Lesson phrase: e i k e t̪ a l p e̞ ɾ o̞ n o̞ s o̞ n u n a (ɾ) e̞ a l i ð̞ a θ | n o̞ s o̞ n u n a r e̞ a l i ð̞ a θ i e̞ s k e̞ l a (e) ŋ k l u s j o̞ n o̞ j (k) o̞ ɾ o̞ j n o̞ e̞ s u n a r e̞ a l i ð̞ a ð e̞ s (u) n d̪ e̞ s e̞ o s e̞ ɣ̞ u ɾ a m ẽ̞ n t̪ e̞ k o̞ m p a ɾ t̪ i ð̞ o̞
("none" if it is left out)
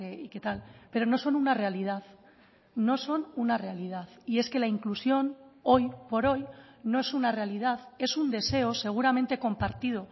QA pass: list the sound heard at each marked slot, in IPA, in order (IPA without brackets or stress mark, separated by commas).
r, i, p, u